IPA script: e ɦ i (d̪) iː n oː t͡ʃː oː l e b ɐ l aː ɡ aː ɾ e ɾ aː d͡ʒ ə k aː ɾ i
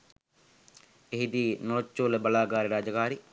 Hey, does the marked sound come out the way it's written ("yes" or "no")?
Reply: yes